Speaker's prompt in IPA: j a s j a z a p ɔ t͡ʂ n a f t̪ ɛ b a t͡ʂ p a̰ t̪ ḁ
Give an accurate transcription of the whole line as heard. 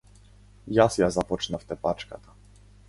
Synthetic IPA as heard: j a s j a z a p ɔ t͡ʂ n a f t̪ ɛ p a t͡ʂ k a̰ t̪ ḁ